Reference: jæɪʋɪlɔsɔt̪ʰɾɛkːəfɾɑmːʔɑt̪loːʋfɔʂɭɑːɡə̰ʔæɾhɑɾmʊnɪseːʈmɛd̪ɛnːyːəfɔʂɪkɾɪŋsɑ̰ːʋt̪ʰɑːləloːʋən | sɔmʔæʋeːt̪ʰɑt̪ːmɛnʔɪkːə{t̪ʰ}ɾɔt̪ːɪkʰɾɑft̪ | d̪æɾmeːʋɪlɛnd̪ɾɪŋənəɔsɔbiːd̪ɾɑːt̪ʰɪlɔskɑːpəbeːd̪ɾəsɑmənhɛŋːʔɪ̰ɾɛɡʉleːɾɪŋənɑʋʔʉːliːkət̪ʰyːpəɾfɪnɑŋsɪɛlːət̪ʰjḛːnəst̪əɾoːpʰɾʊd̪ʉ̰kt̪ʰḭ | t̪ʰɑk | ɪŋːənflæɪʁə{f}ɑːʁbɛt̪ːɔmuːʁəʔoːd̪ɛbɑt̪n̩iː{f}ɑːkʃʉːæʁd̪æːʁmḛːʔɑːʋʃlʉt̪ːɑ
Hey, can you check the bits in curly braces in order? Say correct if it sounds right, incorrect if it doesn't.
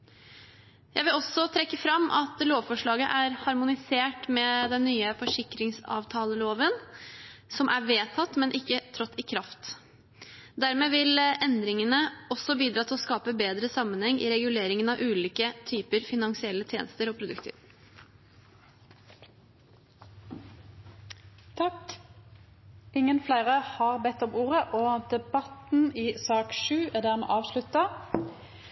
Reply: correct, incorrect, incorrect

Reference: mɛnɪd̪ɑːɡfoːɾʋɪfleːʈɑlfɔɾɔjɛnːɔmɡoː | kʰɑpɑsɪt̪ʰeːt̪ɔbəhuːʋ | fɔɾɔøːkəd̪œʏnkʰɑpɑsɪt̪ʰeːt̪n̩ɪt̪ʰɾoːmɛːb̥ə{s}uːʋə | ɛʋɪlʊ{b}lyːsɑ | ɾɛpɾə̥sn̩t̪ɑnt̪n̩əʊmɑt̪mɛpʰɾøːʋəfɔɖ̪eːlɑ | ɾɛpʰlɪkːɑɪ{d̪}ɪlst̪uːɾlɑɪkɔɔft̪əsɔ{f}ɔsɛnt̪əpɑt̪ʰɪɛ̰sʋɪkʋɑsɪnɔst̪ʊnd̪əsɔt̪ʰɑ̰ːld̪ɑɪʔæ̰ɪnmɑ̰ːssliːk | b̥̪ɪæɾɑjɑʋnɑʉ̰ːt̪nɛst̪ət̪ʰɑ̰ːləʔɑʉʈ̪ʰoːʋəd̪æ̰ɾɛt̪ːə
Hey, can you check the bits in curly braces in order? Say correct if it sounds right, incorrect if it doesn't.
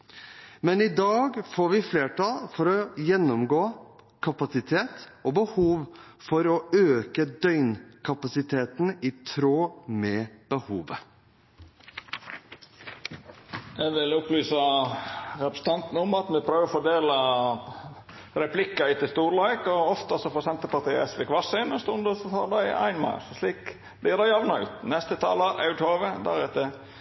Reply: incorrect, incorrect, incorrect, correct

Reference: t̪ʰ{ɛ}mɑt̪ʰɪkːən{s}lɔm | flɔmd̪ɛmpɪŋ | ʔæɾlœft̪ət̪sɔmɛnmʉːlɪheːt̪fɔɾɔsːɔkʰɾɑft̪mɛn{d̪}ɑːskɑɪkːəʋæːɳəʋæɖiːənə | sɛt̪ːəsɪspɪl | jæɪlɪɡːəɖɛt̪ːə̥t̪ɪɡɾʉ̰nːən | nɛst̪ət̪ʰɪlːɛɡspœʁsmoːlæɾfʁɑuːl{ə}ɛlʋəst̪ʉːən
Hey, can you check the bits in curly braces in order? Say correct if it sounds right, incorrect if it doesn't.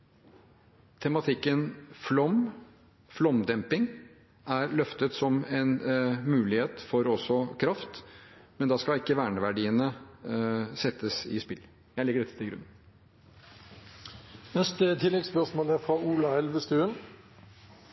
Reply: correct, incorrect, correct, incorrect

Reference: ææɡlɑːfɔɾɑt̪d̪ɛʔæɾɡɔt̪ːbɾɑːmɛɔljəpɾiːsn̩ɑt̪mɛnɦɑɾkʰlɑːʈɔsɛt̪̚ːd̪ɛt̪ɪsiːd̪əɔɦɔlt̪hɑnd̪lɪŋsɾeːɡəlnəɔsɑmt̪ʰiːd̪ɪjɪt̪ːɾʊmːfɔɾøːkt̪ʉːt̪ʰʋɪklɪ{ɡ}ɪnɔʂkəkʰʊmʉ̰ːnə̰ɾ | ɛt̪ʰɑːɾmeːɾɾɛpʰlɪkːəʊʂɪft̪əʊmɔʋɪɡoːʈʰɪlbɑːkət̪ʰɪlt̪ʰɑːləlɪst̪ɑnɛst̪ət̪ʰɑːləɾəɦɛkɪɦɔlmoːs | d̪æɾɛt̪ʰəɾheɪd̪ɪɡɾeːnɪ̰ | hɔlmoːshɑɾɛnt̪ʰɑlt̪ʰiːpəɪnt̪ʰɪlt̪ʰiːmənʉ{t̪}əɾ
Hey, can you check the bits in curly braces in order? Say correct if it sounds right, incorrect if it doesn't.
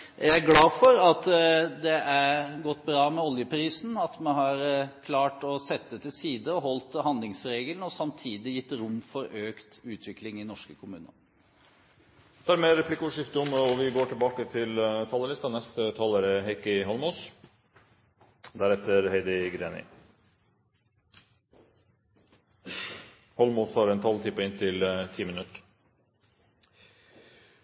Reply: incorrect, correct

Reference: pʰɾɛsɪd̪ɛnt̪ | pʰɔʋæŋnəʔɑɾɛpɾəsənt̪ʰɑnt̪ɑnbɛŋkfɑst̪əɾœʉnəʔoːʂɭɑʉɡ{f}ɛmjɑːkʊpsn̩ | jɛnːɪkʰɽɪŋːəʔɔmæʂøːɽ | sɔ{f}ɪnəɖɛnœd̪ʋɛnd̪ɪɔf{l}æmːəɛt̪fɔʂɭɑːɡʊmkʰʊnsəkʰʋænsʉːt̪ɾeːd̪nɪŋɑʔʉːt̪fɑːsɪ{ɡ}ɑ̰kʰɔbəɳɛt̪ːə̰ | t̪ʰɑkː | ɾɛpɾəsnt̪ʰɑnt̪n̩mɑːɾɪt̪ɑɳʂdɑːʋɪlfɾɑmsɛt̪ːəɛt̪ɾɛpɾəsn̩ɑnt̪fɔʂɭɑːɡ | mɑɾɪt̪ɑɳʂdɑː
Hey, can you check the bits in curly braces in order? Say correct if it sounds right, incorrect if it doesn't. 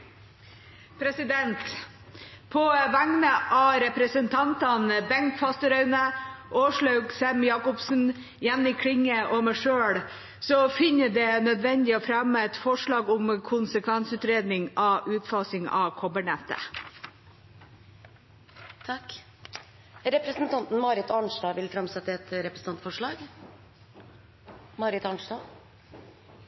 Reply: incorrect, correct, incorrect, incorrect

